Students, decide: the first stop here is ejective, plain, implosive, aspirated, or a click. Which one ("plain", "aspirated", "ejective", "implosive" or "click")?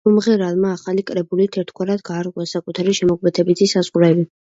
ejective